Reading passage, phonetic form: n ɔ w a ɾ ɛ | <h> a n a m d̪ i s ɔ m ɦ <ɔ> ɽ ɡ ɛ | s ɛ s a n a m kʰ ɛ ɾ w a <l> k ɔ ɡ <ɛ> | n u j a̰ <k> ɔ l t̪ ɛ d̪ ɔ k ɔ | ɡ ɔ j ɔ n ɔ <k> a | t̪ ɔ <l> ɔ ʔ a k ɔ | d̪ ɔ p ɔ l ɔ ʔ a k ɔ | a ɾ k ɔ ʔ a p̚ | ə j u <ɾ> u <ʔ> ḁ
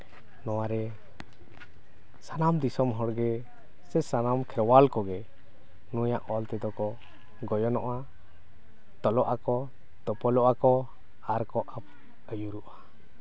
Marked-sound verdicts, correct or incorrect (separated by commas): incorrect, correct, correct, correct, incorrect, incorrect, correct, correct, correct